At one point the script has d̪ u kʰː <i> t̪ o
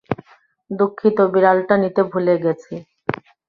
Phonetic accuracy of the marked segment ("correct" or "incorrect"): correct